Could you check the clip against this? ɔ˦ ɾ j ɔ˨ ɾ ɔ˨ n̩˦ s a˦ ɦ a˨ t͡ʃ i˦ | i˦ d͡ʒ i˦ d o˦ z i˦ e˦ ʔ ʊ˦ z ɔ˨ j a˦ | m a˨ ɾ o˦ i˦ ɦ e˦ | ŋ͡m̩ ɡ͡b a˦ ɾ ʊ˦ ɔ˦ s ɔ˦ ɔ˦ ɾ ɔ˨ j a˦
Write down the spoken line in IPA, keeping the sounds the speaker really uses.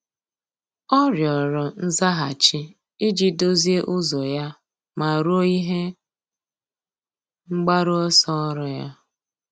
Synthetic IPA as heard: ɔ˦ ɾ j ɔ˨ ɾ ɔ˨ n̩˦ z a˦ ɦ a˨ t͡ʃ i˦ | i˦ d͡ʒ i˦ d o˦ z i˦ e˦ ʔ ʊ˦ z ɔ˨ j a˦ | m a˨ ɾ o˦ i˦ ɦ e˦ | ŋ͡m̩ ɡ͡b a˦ ɾ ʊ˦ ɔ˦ s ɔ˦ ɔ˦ ɾ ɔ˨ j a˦